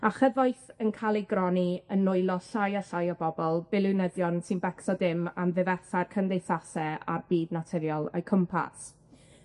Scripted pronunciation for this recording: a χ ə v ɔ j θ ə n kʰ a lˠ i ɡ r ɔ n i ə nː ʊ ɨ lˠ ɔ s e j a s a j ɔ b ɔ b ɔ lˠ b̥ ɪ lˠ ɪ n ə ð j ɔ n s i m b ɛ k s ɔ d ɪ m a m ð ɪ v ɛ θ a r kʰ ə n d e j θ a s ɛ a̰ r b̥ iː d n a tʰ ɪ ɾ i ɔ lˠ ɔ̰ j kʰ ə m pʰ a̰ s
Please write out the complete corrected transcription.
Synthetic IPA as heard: a χ ə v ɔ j θ ə n kʰ a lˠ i ɡ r ɔ n i ə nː ʊ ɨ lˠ ɔ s a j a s a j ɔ b ɔ b ɔ lˠ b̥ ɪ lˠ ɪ n ə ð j ɔ n s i n b ɛ k s ɔ d ɪ m a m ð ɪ v ɛ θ a r kʰ ə n d e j θ a s ɛ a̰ r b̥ iː d n a tʰ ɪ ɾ j ɔ lˠ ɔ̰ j kʰ ə m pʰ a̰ s

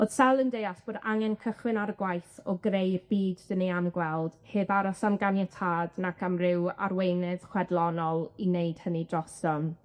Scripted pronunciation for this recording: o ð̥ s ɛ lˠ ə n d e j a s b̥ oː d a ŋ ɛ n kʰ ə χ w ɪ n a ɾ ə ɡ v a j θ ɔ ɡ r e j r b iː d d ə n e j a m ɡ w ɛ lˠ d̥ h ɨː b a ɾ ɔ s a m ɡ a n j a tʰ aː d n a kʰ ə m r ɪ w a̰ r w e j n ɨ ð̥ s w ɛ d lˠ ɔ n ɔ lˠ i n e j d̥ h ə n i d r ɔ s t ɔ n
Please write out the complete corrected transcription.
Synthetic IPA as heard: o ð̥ s ɛ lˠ ə n d e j a s b̥ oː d a ŋ ɛ n kʰ ə χ w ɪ n a ɾ ə ɡ w a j θ ɔ ɡ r e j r b iː d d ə n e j a m ɡ w ɛ lˠ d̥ h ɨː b a ɾ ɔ s a m ɡ a n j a tʰ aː d n a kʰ a m r ɪ w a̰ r w e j n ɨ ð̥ χ w ɛ d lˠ ɔ n ɔ lˠ i n e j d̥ h ə n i d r ɔ s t ɔ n

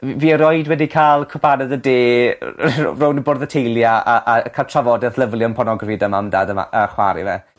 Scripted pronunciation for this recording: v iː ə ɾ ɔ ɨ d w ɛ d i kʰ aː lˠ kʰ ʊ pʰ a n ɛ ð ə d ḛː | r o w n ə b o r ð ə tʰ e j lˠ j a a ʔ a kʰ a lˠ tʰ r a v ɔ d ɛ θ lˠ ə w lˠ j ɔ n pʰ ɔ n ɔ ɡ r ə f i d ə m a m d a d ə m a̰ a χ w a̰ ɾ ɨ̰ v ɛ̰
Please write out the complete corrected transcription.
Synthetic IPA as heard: v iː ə ɾ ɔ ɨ d w ɛ d i kʰ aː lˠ kʰ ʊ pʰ a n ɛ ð ə d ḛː | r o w n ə b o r ð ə tʰ e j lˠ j a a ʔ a kʰ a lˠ tʰ r a v ɔ d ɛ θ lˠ ə v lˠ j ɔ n pʰ ɔ n ɔ ɡ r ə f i d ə m a m d a d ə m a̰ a χ w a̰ ɾ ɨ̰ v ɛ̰

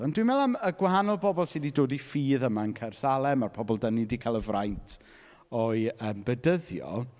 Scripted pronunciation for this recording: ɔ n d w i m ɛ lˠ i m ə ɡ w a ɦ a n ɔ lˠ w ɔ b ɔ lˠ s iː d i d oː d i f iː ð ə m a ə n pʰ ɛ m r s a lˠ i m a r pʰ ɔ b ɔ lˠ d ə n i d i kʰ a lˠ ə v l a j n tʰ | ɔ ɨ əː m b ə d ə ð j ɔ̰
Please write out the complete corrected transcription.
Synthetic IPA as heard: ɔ n d w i m ɛ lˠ a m ə ɡ w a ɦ a n ɔ lˠ b ɔ b ɔ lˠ s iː d i d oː d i f iː ð ə m a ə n kʰ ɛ r s a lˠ ɛ m a r pʰ ɔ b ɔ lˠ d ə n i d i kʰ a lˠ ə v r a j n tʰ | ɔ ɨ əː m b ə d ə ð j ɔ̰

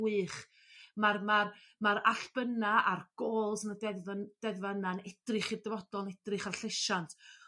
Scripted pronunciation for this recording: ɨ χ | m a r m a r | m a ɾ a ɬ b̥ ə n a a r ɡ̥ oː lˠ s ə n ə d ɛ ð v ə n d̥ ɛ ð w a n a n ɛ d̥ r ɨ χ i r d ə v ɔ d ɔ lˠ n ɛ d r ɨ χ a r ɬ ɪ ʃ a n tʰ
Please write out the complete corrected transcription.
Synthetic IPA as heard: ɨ χ | m a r m a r | m a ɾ a ɬ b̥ ə n a a r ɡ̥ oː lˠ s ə n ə d ɛ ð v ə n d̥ ɛ ð v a n a n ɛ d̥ r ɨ χ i r d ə v ɔ d ɔ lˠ n ɛ d r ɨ χ a r ɬ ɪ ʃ a n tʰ

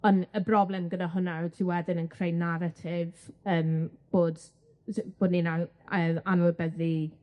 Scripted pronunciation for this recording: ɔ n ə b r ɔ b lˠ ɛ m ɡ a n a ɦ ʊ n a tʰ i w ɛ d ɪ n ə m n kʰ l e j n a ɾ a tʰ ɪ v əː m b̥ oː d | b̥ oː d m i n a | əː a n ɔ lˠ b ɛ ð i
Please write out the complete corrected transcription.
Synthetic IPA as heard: ɔ n ə b r ɔ b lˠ ɛ m ɡ ə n a ɦ ʊ n a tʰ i w ɛ d ɪ n ə n kʰ r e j n a ɾ a tʰ ɪ v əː m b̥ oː d | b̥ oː d n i n a | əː a n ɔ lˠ b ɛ ð i

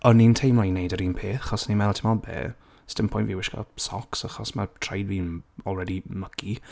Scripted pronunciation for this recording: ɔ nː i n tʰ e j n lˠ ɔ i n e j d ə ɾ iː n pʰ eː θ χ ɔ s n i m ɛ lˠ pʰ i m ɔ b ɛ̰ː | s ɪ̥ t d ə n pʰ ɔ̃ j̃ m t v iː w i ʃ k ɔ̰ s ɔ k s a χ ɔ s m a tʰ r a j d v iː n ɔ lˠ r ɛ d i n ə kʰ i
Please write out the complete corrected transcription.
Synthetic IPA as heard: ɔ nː i n tʰ e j m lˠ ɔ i n e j d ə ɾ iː n pʰ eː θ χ ɔ s n i m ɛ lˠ tʰ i m ɔ b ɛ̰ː | s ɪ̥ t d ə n pʰ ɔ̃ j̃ n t v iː w ɪ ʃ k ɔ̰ s ɔ k s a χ ɔ s m a tʰ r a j d v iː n ɔ lˠ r ɛ d i m ə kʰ i

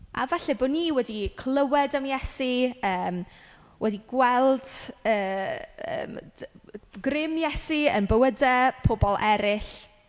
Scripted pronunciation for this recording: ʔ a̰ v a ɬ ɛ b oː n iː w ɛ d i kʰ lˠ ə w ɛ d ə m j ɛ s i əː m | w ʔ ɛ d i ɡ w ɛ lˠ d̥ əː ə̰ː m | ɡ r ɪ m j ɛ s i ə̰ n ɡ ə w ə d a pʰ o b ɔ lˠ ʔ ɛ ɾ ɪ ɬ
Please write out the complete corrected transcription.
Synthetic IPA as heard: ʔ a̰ v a ɬ ɛ b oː n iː w ɛ d i kʰ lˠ ə w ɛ d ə m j ɛ s i əː m | w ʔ ɛ d i ɡ w ɛ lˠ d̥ əː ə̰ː m | ɡ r ɪ m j ɛ s i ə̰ n b ə w ə d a pʰ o b ɔ lˠ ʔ ɛ ɾ ɪ ɬ

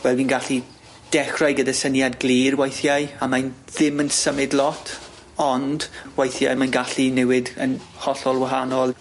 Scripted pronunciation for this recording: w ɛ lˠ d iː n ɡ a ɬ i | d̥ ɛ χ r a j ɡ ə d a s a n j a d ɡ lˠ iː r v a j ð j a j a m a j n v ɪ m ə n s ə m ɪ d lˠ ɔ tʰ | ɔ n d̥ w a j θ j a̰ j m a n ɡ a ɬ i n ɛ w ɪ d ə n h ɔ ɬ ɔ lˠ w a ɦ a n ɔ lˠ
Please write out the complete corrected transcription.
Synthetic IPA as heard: w ɛ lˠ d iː n ɡ a ɬ i | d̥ ɛ χ r a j ɡ ə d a s ə n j a d ɡ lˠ iː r w a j θ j a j a m a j n ð ɪ m ə n s ə m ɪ d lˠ ɔ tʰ | ɔ n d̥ w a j θ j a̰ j m a n ɡ a ɬ i n ɛ w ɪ d ə n h ɔ ɬ ɔ lˠ w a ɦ a n ɔ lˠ

